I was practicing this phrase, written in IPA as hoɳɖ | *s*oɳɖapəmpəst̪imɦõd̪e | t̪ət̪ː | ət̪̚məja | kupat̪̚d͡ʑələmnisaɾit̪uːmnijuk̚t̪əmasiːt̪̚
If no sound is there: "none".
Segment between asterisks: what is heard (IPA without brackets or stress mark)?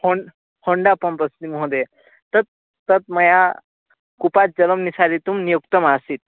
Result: h